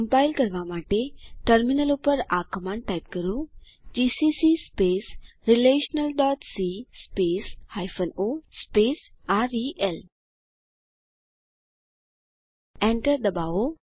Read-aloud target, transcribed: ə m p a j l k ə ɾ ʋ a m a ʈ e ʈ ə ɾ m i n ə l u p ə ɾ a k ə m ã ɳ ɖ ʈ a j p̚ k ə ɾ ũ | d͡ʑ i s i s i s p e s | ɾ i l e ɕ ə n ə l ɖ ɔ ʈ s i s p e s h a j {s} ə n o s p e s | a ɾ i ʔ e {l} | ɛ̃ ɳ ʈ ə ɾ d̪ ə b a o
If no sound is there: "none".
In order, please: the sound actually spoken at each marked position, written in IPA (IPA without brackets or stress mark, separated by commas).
f, l